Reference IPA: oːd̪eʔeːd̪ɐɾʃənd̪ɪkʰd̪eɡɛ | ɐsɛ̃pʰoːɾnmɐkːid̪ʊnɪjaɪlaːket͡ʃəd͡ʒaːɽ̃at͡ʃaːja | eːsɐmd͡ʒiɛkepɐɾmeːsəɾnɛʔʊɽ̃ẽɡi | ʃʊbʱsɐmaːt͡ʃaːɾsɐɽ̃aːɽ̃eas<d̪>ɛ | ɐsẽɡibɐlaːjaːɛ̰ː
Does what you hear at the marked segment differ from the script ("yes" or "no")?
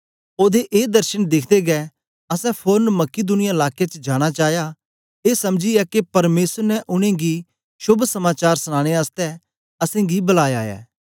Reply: yes